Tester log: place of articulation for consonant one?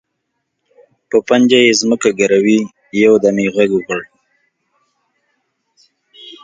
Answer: labial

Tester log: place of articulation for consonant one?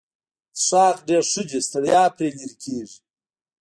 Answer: retroflex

